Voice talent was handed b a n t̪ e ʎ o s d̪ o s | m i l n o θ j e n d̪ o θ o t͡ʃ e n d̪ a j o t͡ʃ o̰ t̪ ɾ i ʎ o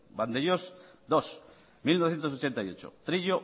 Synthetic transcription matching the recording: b a n d̪ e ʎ o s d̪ o s | m i l n o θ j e n t̪ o s o t͡ʃ e n t̪ a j o t͡ʃ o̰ t̪ ɾ i ʎ o